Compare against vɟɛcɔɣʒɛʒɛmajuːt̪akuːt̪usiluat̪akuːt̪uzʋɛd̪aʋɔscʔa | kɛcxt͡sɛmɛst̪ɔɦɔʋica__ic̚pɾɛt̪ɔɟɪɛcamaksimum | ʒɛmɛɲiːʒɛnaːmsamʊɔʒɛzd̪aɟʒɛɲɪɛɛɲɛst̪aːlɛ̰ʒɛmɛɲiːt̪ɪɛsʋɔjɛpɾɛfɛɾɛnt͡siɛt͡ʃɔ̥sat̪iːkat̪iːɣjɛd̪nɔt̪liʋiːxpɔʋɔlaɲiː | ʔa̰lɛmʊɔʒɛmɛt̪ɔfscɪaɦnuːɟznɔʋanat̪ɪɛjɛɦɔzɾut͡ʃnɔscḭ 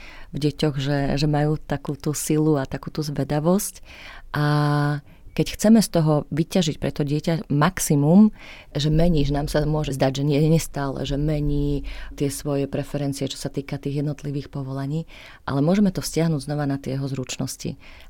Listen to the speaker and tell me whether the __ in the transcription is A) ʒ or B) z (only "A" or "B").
A